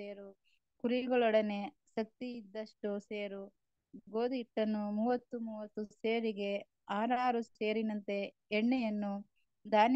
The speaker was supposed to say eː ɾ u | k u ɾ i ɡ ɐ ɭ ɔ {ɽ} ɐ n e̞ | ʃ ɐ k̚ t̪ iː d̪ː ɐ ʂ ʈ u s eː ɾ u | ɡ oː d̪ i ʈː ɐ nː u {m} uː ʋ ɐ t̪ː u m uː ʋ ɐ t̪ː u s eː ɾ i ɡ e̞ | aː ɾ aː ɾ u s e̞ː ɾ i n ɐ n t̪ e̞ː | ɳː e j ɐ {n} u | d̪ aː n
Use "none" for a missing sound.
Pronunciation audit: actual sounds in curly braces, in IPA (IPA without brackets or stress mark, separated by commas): ɽ, m, nː